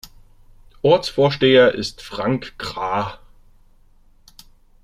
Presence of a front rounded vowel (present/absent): absent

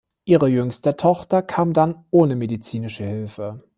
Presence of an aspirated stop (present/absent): present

